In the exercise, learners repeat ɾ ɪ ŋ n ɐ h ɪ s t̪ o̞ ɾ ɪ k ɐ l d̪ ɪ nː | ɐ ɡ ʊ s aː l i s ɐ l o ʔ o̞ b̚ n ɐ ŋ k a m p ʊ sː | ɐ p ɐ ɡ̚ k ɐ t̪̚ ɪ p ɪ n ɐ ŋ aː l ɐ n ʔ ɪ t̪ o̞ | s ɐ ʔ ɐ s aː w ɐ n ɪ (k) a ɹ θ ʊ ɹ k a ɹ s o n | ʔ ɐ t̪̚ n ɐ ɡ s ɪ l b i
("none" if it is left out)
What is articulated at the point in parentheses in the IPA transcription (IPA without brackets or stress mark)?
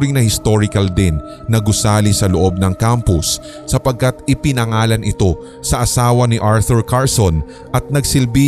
ʔ